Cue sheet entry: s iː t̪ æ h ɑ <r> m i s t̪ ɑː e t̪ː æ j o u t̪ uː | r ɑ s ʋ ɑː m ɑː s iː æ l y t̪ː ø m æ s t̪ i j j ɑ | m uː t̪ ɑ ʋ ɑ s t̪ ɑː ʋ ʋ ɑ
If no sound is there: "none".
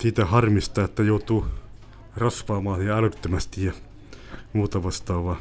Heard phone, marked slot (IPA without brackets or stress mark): r